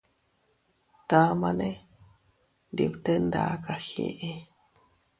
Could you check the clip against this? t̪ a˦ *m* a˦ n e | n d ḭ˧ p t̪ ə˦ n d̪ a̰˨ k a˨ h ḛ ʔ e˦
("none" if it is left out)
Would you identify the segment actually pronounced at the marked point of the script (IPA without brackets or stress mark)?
m